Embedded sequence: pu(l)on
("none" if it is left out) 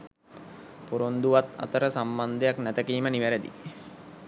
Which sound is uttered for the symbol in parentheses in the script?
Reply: ɾ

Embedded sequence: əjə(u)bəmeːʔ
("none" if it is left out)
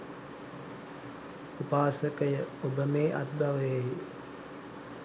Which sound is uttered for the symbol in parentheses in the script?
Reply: o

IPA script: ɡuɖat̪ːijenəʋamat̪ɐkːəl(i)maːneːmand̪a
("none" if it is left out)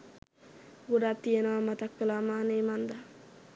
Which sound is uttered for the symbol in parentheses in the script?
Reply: a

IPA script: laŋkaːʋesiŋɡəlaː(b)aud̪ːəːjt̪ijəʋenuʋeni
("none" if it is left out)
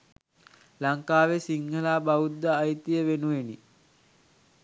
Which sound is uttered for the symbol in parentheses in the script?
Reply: b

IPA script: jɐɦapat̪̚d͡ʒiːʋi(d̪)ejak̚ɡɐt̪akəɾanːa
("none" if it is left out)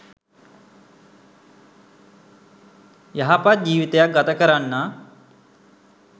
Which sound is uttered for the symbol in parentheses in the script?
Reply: t̪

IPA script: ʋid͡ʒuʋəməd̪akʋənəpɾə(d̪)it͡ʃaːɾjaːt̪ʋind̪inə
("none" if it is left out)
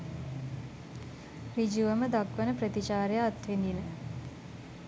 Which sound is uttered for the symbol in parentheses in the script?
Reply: t̪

